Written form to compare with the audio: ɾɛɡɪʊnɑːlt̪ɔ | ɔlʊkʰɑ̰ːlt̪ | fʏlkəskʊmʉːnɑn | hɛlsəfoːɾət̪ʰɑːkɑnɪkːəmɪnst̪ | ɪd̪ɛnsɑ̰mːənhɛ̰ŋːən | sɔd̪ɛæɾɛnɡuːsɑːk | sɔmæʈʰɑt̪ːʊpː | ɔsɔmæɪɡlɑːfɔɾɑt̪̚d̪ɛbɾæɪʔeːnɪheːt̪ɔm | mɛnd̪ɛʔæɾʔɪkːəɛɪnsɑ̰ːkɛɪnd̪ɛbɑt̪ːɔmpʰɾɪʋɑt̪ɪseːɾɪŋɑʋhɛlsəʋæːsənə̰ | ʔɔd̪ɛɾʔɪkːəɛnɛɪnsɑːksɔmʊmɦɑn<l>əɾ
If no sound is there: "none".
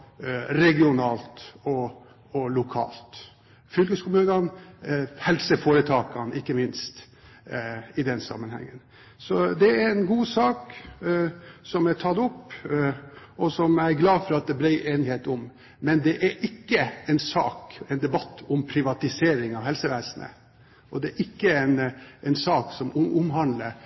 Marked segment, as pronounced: l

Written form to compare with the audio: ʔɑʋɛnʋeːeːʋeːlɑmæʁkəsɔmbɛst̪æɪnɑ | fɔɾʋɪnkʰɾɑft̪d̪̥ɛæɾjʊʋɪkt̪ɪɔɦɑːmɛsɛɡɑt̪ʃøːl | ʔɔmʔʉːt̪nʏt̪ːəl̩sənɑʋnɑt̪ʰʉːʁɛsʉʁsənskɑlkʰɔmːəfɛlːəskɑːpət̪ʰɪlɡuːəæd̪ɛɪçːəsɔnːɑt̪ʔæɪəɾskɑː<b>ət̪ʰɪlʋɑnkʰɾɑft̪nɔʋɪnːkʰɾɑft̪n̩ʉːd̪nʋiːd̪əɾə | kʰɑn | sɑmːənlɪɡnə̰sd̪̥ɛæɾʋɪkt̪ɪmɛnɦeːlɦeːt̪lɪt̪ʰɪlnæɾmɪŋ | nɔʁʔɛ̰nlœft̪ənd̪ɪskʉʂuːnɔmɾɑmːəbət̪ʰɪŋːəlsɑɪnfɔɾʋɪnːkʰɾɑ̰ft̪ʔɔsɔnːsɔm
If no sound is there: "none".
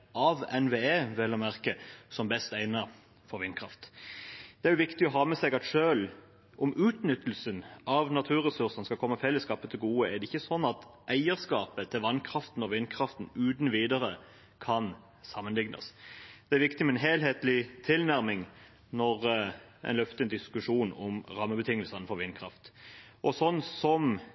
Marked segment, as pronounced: p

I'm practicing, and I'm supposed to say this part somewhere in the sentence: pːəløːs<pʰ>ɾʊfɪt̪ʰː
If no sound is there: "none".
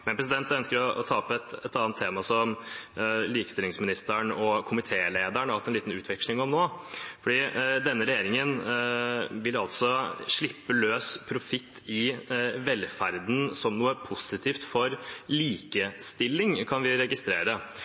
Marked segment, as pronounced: pʰ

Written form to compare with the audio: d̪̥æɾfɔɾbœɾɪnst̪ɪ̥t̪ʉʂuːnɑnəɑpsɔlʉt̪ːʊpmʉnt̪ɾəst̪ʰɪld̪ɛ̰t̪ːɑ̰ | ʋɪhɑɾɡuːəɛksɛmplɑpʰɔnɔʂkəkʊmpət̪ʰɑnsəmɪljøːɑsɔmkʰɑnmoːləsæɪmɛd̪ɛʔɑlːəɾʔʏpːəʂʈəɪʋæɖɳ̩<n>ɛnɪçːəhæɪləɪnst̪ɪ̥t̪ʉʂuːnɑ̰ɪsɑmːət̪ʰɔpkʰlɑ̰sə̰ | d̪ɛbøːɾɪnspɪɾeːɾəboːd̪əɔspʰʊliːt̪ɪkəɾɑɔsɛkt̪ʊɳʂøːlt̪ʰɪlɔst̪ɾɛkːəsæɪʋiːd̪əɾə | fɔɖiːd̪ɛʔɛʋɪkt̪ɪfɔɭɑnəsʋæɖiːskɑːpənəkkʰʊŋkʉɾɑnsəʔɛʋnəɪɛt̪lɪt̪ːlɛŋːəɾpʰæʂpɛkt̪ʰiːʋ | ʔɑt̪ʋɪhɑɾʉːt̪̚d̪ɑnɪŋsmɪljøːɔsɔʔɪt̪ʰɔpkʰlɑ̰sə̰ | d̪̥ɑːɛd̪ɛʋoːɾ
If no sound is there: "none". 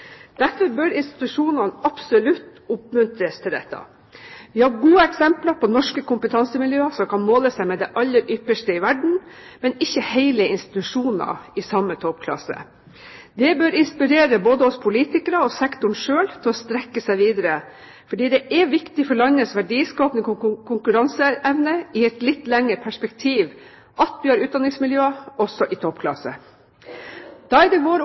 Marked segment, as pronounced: m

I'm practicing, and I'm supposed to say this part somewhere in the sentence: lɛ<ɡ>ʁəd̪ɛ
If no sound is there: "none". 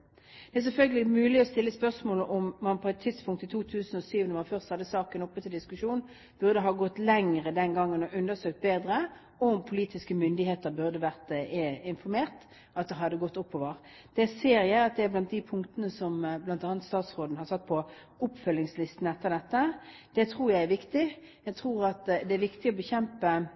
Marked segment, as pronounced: ŋ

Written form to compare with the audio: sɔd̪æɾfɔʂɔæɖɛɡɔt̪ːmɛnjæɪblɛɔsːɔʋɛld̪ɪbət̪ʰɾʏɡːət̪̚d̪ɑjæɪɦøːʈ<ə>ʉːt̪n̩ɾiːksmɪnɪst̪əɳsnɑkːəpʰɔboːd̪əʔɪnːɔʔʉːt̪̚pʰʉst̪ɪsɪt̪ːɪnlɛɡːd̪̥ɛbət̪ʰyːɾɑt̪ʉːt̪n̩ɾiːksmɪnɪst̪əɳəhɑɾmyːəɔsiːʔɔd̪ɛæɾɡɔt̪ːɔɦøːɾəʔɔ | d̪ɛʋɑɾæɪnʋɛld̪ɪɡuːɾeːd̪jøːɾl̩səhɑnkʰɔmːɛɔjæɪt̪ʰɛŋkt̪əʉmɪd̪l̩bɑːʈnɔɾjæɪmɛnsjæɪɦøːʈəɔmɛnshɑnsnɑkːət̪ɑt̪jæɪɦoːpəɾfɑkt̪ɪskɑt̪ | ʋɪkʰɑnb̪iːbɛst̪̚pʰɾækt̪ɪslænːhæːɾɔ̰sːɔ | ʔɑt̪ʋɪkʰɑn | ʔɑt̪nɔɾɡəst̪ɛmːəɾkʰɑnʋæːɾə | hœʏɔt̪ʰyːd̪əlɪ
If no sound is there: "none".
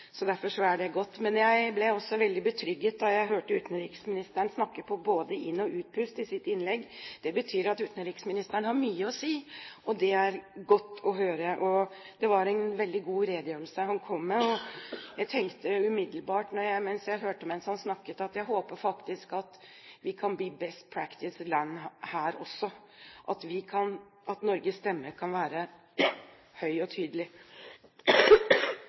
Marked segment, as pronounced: ə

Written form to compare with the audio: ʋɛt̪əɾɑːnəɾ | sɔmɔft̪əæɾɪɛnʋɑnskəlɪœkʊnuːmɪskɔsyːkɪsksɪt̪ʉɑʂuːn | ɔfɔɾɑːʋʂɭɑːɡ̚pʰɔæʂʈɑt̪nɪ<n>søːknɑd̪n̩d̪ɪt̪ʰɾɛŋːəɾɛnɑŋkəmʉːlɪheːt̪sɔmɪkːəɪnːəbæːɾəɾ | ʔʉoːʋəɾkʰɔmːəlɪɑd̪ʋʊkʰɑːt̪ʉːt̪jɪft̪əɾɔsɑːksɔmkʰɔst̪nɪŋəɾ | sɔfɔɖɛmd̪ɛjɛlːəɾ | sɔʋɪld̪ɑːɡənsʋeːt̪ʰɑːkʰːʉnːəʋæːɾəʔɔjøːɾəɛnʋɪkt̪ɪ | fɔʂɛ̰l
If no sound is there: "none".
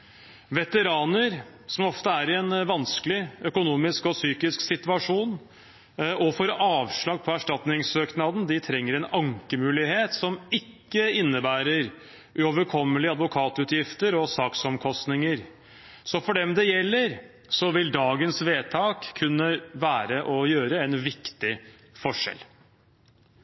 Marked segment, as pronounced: ŋ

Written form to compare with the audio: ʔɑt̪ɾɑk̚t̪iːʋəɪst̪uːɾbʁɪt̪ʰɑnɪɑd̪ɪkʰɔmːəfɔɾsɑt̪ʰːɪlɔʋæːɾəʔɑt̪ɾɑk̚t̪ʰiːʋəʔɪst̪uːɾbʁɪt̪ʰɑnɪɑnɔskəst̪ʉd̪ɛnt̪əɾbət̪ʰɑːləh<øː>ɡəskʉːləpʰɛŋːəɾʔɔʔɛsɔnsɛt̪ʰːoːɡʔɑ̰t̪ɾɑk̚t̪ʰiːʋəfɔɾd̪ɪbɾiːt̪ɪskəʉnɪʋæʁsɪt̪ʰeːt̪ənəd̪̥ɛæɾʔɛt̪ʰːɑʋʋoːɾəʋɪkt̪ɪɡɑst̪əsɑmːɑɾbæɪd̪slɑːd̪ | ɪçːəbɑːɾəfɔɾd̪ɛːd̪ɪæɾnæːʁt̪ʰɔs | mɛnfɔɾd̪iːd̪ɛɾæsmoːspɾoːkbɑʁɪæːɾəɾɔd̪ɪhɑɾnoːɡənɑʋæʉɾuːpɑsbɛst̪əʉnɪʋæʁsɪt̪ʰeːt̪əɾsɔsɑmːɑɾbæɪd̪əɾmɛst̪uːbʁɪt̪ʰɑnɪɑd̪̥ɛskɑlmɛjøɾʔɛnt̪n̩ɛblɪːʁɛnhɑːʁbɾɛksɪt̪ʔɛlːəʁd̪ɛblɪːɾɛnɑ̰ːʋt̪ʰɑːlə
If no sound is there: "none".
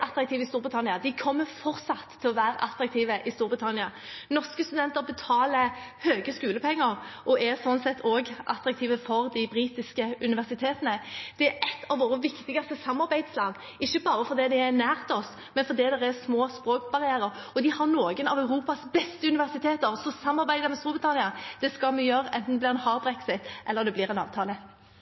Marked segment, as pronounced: øː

